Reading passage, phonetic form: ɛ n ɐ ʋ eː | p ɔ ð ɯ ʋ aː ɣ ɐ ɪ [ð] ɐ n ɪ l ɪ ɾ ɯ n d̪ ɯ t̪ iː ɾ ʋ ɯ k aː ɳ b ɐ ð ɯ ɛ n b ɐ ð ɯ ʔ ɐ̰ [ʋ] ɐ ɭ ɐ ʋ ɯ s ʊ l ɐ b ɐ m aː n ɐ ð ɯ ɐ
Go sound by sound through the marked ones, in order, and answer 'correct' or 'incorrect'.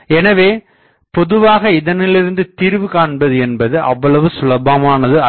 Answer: correct, incorrect

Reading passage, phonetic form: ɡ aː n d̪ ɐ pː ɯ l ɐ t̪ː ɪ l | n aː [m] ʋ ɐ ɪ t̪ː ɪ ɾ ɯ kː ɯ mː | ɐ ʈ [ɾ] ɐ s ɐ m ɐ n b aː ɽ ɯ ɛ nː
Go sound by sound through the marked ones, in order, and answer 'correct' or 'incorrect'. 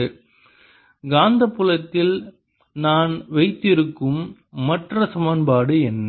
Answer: incorrect, incorrect

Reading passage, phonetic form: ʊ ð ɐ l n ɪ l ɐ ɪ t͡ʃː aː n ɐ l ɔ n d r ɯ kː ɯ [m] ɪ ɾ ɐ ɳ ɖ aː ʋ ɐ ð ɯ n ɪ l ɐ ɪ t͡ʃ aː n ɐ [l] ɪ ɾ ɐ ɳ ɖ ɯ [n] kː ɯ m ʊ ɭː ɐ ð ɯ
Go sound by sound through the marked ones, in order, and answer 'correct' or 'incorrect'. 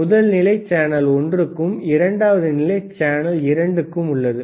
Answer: correct, correct, incorrect

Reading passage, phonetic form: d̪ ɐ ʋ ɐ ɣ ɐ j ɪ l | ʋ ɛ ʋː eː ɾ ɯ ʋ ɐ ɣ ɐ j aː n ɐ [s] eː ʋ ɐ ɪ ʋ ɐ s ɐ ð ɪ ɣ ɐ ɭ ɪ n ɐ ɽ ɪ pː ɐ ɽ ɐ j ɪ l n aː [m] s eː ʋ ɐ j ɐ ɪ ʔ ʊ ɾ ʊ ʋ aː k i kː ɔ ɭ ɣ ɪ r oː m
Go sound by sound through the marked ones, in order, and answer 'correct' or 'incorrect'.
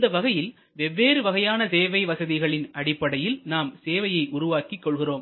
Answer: correct, correct

